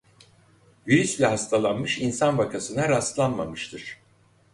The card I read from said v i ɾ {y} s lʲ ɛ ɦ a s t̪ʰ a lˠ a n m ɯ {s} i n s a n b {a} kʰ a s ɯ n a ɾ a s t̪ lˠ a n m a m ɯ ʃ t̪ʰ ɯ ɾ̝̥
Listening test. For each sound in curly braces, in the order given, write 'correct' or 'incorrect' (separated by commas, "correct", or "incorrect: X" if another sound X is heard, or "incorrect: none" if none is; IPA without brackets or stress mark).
correct, incorrect: ʃ, correct